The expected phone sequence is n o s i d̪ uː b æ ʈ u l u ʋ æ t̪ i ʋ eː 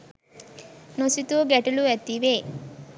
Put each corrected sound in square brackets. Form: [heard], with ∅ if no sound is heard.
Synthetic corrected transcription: n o s i [t̪] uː [ɡ] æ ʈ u l u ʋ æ t̪ i ʋ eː